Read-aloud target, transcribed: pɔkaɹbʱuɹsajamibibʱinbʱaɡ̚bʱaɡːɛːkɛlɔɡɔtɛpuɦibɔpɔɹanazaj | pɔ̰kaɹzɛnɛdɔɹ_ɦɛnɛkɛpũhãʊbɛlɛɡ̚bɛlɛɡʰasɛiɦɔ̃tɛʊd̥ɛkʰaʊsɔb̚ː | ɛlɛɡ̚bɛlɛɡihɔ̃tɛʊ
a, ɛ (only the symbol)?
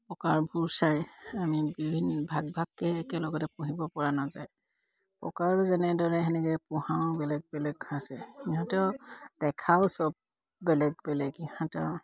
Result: ɛ